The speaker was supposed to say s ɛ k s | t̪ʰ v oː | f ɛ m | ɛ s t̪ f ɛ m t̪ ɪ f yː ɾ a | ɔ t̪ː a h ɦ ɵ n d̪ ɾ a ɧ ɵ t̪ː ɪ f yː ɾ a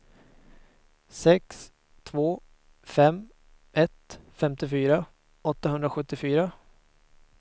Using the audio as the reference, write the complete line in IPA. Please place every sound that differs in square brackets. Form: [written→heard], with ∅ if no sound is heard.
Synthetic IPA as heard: s ɛ k s | t̪ʰ v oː | f ɛ m | ɛ [s→∅] t̪ f ɛ m t̪ ɪ f yː ɾ a | ɔ t̪ː a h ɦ ɵ n d̪ ɾ a ɧ ɵ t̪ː ɪ f yː ɾ a